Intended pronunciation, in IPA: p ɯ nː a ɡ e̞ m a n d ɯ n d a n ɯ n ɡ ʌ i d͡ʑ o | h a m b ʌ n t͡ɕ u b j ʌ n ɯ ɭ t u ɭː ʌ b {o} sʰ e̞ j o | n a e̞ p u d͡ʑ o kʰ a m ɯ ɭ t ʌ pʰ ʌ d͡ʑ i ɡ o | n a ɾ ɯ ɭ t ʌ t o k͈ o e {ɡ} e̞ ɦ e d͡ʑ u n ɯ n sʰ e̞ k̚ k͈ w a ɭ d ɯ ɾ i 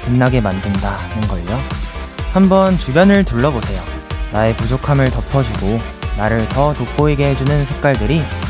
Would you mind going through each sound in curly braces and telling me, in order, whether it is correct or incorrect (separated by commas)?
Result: correct, correct